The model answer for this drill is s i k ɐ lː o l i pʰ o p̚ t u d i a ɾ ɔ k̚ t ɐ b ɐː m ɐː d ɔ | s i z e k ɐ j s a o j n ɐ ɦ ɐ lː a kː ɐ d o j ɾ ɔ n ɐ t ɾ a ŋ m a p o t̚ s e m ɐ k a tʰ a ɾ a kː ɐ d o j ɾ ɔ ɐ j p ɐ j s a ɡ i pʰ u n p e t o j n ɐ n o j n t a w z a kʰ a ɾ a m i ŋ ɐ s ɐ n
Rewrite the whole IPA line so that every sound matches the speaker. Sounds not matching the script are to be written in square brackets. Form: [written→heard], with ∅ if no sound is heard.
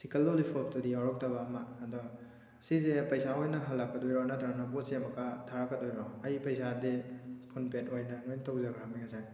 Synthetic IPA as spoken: s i k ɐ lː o l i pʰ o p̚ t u d i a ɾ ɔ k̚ t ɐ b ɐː m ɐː d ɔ | s i z e [k→p] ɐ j s a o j n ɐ ɦ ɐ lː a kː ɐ d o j ɾ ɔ n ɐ t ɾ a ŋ [m→n] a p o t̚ s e m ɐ k a tʰ a ɾ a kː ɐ d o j ɾ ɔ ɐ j p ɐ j s a [ɡ→d] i pʰ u n p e t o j n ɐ n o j n t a w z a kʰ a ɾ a m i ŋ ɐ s [ɐ→a] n